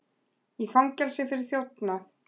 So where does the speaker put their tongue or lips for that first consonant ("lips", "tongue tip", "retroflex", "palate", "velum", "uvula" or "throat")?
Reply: lips